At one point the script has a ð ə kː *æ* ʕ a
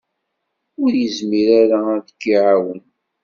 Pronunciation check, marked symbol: incorrect: i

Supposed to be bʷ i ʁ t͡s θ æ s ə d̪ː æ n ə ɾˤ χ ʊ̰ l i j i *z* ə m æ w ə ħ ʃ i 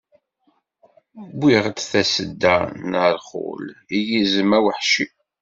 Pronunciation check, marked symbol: correct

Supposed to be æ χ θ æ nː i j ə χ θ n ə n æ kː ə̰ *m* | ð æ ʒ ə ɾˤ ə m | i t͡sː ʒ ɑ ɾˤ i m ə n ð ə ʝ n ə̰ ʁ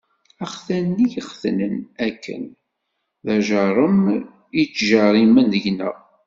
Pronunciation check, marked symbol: incorrect: n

